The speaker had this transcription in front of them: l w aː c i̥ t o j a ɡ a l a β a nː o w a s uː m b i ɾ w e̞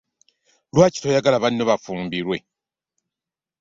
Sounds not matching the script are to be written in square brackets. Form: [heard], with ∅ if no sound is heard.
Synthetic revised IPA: l w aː c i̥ t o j a ɡ a l a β a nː o [β] a [f] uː m b i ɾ w e̞